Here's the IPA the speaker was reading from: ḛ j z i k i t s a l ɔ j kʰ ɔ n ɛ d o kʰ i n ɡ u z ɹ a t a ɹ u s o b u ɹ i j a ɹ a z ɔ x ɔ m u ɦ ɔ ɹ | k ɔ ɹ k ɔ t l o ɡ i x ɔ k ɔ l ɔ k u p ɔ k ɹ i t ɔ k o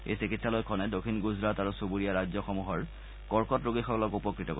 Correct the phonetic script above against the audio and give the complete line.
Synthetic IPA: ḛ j s i k i t s a l ɔ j kʰ ɔ n ɛ d o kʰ i n ɡ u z ɹ a t a ɹ u s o b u ɹ i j a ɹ a z ɔ x ɔ m u ɦ ɔ ɹ | k ɔ ɹ k ɔ t ɹ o ɡ i x ɔ k ɔ l ɔ k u p ɔ k ɹ i t ɔ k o